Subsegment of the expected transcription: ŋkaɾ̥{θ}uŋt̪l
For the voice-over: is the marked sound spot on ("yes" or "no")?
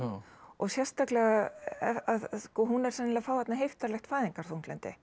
yes